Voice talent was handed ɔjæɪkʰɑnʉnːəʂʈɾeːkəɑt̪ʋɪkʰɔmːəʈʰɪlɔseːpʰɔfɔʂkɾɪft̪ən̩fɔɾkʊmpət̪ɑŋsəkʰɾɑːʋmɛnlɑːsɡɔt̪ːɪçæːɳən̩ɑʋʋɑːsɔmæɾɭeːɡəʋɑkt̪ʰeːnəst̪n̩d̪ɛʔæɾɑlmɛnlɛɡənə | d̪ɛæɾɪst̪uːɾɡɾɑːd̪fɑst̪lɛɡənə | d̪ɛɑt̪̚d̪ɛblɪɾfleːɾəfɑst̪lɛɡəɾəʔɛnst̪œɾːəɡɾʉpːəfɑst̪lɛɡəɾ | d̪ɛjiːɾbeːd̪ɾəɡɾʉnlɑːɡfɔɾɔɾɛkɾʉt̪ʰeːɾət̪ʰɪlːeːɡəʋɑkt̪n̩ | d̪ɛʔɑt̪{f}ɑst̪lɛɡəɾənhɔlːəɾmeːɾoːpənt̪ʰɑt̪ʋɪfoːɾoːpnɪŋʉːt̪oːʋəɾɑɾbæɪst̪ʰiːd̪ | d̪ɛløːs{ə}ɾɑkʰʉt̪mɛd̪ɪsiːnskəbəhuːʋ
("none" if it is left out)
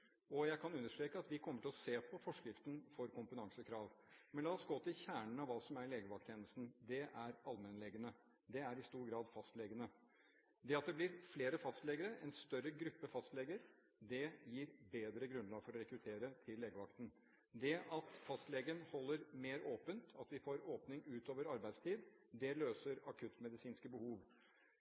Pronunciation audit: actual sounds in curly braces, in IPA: f, ə

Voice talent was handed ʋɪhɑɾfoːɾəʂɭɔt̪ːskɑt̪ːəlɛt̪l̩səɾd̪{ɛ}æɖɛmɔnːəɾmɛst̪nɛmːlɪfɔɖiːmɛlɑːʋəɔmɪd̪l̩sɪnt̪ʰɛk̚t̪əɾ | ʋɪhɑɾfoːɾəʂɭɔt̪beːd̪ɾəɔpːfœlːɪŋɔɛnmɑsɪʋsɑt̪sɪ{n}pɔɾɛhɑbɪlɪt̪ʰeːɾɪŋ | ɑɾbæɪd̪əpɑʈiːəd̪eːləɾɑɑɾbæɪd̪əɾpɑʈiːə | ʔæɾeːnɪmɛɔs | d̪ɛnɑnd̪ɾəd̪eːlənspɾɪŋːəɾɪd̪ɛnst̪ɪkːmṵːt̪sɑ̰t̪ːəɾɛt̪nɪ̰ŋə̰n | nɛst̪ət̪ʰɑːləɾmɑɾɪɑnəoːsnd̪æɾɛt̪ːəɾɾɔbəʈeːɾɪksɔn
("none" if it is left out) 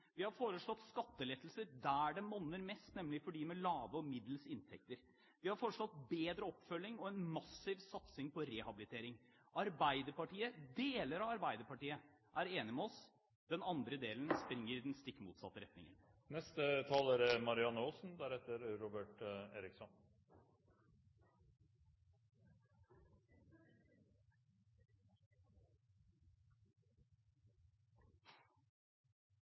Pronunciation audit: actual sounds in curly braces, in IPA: æ, ŋ

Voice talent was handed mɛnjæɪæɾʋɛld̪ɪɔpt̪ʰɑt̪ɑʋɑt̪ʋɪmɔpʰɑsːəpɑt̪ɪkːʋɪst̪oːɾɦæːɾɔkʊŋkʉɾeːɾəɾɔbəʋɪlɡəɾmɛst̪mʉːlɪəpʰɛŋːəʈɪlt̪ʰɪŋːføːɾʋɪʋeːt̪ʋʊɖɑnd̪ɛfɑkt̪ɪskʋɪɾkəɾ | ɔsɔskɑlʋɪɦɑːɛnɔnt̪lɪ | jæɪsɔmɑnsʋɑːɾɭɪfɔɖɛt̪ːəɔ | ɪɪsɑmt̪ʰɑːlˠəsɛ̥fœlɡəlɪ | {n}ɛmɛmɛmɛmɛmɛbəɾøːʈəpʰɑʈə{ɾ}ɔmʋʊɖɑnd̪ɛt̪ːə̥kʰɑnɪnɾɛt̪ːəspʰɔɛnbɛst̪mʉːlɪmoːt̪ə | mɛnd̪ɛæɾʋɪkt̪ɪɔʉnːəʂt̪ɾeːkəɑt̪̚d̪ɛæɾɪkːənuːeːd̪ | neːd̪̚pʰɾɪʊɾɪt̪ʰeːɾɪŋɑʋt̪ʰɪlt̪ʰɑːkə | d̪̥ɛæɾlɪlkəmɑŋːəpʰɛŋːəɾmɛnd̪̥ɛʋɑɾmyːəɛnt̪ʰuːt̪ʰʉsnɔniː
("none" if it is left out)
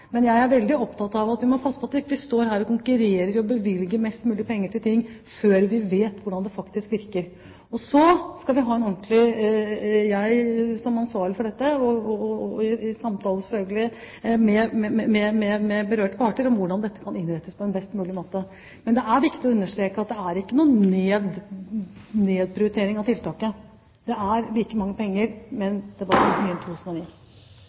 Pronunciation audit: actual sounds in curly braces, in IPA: m, ɾ

